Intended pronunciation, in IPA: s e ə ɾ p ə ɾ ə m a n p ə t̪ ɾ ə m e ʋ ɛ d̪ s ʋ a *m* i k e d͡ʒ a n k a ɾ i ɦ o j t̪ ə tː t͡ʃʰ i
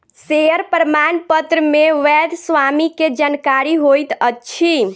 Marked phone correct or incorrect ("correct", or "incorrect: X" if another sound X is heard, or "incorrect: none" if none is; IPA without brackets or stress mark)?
correct